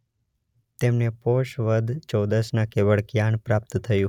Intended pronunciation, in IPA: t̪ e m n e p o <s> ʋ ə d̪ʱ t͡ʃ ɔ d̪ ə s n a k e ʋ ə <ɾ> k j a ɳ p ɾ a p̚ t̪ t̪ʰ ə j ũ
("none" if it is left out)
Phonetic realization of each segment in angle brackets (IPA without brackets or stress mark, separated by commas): ʃ, ɭ